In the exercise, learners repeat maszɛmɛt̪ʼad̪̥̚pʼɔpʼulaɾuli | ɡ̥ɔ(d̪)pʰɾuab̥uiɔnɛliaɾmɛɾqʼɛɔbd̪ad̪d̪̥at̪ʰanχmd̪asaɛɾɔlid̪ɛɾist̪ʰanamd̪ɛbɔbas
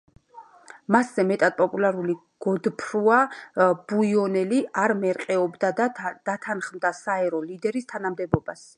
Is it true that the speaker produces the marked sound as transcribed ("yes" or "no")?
yes